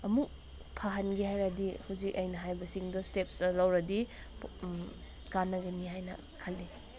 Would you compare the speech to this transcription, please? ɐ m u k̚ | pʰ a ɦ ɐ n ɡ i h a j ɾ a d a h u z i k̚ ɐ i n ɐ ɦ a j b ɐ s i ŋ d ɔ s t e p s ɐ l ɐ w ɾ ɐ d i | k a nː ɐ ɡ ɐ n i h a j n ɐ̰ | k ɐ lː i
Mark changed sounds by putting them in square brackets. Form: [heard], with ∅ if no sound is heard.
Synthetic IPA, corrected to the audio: ɐ m u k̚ | pʰ a ɦ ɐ n ɡ i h a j ɾ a d [i] h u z i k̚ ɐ [j] n ɐ ɦ a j b ɐ s i ŋ d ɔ s t e p s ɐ l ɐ w ɾ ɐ d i | k a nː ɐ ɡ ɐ n i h a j n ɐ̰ | [kʰ] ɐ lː i